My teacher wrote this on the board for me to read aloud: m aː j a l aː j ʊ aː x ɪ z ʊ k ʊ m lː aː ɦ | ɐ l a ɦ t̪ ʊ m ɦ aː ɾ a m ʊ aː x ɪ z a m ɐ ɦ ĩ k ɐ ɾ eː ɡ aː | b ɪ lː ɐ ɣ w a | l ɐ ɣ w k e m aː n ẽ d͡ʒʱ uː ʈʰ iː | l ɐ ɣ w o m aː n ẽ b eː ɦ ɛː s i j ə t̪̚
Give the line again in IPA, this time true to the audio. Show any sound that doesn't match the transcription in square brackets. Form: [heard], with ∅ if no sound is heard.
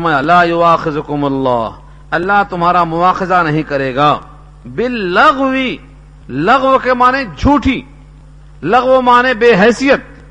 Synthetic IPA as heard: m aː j a l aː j ʊ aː x ɪ z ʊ k ʊ m lː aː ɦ | ɐ [lː] a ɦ t̪ ʊ m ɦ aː ɾ a m ʊ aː x ɪ z a [n] ɐ ɦ ĩ k ɐ ɾ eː ɡ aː | b ɪ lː ɐ ɣ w [i] | l ɐ ɣ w k e m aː n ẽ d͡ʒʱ uː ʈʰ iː | l ɐ ɣ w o m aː n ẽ b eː ɦ ɛː s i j ə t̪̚